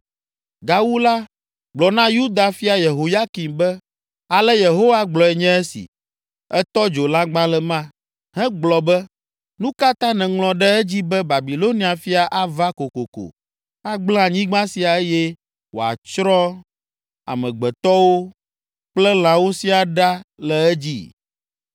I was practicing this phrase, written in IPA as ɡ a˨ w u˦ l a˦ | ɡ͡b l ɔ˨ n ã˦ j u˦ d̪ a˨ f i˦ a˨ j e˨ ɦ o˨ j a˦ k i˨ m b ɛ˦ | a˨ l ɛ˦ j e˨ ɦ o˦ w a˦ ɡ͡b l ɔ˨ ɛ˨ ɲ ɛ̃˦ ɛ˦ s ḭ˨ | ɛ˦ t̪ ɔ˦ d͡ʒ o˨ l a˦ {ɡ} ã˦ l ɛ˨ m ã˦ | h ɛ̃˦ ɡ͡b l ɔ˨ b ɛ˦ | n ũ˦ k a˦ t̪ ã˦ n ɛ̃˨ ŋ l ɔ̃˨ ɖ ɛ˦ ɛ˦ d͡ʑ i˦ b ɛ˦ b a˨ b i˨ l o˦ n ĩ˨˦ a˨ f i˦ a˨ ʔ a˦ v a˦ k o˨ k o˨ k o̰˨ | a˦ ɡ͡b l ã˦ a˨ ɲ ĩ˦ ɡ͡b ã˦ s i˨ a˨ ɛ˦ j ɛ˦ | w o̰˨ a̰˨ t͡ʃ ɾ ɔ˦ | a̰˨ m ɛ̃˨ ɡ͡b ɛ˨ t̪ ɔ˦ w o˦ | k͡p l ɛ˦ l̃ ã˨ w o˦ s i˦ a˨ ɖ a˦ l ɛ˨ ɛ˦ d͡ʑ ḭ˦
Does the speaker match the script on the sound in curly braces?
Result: no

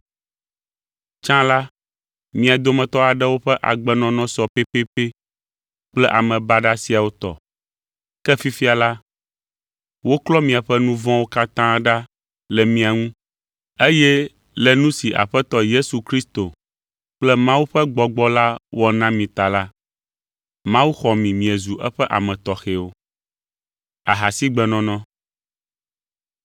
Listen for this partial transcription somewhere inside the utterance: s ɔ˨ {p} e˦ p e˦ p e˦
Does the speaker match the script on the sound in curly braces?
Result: yes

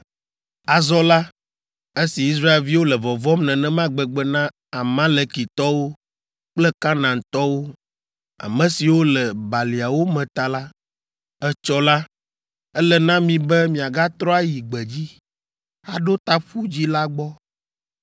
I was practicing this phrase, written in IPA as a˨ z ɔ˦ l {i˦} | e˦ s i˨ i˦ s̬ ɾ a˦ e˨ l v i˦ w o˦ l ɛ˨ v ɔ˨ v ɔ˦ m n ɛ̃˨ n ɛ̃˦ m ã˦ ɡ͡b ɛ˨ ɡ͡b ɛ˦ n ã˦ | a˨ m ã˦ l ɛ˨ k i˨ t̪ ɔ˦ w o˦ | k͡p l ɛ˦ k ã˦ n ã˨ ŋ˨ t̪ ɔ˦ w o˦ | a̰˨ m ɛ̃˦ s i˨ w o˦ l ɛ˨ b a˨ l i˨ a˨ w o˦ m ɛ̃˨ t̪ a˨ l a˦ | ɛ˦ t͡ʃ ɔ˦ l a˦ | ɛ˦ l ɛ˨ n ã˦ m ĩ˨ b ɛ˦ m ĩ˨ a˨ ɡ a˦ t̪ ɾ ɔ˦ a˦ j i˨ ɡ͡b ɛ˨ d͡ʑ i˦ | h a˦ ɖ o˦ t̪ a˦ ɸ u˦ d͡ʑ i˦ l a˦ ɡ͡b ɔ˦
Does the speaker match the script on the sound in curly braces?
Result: no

